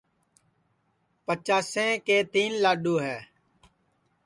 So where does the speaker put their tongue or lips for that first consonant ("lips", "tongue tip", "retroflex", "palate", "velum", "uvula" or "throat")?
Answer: lips